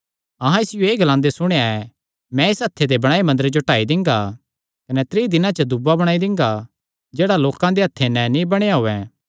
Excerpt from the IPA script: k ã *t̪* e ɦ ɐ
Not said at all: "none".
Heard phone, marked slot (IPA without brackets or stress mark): d̪